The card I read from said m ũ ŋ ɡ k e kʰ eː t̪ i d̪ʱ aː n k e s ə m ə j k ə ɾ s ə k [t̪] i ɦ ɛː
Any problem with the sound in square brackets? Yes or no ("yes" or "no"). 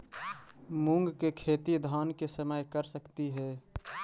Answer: no